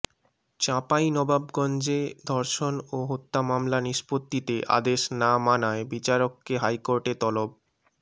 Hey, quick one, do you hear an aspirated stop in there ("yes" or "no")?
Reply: no